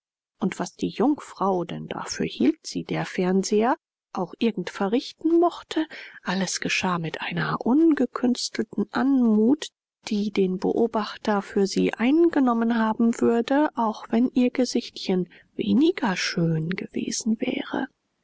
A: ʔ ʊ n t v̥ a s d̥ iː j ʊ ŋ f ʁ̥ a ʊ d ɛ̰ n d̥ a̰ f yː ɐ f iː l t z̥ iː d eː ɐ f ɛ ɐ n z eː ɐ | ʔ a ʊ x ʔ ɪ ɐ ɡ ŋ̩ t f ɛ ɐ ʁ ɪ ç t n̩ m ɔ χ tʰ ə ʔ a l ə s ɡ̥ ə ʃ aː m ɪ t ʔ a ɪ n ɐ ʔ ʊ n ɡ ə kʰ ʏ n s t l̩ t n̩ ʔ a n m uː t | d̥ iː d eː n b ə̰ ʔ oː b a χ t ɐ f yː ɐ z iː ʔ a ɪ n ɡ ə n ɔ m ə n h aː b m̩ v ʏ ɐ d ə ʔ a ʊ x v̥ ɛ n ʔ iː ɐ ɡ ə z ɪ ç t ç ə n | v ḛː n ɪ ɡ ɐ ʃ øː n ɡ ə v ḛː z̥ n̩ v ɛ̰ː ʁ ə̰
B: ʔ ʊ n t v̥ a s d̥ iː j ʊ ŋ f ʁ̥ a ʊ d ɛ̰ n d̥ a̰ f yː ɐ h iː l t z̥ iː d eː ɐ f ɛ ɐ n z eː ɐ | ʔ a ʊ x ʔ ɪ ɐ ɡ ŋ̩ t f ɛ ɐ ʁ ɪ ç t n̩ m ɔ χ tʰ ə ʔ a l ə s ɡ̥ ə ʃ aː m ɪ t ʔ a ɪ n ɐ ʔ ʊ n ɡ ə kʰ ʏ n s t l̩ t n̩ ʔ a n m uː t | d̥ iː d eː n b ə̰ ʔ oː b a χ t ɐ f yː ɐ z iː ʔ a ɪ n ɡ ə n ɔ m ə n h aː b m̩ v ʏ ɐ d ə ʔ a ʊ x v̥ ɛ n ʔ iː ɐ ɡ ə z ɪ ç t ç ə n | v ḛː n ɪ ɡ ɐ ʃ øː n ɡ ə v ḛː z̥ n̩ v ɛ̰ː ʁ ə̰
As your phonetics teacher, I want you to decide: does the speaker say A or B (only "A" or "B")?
B